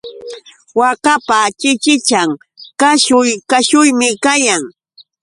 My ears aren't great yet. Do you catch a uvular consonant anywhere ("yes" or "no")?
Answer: no